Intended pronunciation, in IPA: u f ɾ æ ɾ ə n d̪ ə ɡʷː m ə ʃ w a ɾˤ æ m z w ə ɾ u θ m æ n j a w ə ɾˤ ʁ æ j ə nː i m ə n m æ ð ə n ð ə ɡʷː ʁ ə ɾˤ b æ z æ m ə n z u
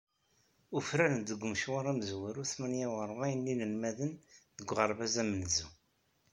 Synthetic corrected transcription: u f ɾ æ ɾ ə n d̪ ə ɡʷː m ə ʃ w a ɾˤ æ m z w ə ɾ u θ m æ n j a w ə ɾˤ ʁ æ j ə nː i n ə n m æ ð ə n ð ə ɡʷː ʁ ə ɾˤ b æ z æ m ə n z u